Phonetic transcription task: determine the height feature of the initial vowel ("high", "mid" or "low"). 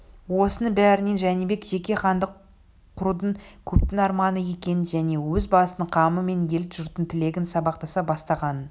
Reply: mid